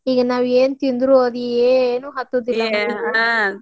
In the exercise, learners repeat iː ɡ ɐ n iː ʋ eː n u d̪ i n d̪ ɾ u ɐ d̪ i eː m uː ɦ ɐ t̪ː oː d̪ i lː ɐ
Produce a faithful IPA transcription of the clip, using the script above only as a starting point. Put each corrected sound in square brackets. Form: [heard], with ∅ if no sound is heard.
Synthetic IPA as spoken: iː ɡ ɐ n [aː] ʋ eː n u [t̪] i n d̪ ɾ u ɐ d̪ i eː [n] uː ɦ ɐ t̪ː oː d̪ i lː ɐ